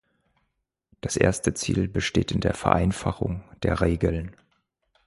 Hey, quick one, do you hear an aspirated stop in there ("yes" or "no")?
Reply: no